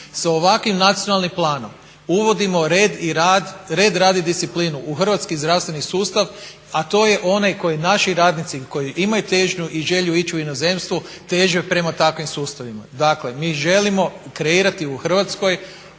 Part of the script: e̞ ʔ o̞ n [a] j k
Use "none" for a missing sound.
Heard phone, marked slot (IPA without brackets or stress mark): a